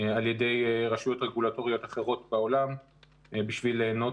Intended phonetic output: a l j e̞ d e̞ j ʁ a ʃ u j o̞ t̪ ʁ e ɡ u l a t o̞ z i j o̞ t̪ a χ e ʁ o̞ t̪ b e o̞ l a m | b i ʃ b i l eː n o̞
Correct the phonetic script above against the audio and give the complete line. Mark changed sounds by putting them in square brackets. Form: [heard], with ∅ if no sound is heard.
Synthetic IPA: a l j e̞ d e̞ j ʁ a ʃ u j o̞ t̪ ʁ e ɡ u l a t o̞ [ʁ] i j o̞ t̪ a χ e ʁ o̞ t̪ b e o̞ l a m | b i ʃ [v] i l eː n o̞